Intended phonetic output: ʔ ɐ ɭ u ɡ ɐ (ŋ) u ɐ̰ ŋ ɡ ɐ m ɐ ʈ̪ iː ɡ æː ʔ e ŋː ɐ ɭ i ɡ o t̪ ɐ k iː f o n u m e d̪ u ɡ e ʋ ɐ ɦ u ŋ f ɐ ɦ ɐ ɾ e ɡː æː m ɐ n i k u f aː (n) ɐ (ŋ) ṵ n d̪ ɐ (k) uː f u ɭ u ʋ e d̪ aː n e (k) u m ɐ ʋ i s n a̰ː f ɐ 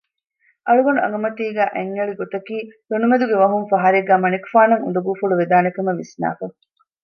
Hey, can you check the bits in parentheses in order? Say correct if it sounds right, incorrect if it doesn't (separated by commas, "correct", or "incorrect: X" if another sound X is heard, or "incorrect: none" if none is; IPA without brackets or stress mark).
incorrect: n, correct, correct, incorrect: ɡ, correct